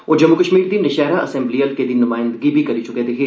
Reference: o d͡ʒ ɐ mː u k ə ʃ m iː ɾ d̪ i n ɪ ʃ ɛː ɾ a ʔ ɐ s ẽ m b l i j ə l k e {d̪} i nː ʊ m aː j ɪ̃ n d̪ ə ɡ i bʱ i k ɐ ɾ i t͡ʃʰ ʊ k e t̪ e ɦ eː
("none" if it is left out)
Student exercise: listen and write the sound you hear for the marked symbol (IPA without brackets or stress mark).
d̪